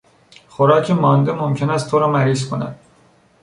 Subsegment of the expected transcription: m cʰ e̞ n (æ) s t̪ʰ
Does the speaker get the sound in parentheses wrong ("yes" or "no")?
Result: no